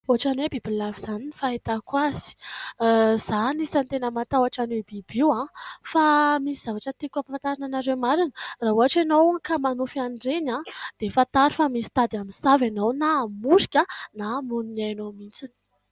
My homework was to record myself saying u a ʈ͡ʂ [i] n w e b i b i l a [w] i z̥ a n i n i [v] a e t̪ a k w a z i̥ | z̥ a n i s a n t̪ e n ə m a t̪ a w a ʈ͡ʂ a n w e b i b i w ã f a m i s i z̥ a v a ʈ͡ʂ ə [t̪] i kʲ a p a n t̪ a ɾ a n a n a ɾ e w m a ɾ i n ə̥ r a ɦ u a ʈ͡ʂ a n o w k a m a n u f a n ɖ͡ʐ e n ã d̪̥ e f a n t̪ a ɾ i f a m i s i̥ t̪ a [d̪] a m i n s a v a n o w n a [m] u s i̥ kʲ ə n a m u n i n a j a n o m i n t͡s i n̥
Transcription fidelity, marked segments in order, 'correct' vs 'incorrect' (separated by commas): incorrect, incorrect, incorrect, correct, correct, correct